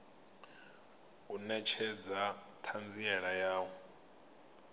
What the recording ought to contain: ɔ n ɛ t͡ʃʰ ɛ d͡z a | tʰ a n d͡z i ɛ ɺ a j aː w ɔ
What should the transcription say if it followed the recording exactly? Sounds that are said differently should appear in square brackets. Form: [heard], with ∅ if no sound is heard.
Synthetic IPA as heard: [u] n ɛ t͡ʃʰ ɛ d͡z a | tʰ a n d͡z i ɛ ɺ a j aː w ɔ